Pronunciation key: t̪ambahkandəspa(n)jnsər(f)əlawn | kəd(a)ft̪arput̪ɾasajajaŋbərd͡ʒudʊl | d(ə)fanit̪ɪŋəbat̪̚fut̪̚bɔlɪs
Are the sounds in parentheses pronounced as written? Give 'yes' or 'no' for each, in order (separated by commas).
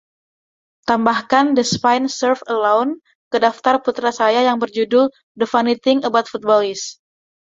no, yes, yes, yes